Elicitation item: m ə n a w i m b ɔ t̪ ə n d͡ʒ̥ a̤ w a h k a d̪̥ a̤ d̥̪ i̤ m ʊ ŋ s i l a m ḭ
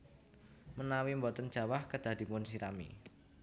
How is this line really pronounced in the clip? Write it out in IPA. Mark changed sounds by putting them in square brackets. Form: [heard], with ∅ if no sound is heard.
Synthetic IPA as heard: m ə n a w i m b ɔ t̪ ə n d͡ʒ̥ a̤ w a h k [ə] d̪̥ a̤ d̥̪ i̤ m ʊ [n] s i [ɾ] a m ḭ